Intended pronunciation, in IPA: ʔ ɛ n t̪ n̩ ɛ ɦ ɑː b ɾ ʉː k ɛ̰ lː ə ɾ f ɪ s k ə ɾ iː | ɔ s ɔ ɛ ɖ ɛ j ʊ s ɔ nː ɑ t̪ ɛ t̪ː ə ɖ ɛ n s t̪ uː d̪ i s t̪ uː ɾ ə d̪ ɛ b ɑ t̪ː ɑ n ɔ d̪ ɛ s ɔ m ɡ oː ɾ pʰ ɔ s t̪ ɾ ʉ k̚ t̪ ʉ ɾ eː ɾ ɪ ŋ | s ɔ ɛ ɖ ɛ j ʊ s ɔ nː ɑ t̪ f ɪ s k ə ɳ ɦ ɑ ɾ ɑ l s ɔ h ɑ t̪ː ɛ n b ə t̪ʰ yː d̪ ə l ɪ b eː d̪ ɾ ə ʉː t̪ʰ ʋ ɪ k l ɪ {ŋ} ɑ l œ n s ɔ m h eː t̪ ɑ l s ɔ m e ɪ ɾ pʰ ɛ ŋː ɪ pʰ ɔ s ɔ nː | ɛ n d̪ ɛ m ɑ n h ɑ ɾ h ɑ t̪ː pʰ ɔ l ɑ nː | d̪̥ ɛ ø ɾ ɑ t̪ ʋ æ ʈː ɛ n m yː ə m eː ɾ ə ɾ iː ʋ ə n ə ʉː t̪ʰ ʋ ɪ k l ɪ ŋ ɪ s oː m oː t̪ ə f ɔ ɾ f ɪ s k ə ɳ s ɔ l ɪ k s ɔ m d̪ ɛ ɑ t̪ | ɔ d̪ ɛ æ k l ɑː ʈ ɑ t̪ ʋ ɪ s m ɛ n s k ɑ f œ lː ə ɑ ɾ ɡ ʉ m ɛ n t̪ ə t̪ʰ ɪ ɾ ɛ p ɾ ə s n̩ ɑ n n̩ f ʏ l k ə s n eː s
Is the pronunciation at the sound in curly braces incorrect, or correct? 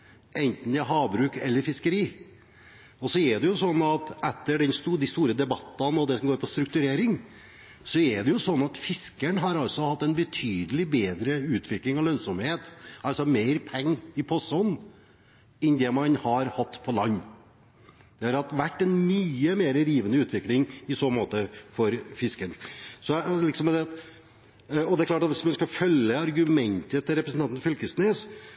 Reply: correct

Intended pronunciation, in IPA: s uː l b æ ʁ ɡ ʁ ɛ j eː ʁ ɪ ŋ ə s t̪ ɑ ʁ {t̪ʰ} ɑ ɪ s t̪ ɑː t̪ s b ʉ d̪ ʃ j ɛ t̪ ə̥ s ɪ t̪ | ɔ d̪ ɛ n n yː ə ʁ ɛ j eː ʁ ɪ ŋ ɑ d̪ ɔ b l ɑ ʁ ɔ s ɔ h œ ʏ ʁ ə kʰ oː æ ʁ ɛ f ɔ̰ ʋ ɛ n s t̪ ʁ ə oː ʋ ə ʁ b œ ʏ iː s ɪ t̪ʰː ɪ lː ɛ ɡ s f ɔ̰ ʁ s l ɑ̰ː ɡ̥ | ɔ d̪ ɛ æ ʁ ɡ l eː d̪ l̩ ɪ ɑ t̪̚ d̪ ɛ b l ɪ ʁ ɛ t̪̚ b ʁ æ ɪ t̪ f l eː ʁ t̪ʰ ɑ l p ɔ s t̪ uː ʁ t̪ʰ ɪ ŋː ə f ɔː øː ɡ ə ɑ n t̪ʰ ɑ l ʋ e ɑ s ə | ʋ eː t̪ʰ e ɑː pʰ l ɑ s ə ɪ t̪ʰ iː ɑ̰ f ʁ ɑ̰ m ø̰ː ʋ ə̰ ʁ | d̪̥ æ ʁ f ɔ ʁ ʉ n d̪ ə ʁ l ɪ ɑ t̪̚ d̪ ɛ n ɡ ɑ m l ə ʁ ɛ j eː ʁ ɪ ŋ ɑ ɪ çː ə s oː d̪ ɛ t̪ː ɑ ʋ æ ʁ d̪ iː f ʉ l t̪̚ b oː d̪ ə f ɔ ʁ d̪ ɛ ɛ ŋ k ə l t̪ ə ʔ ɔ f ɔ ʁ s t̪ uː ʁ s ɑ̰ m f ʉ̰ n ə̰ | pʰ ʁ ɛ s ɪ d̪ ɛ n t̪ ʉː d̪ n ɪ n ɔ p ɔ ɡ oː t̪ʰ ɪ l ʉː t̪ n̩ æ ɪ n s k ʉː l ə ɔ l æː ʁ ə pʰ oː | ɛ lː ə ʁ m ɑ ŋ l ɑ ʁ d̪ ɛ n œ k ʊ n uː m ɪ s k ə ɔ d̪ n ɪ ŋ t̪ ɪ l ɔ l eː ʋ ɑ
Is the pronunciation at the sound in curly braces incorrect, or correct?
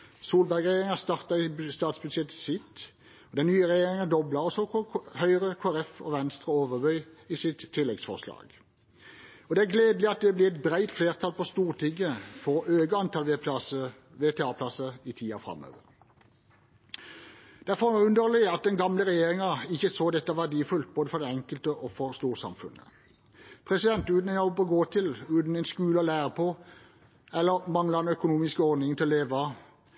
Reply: incorrect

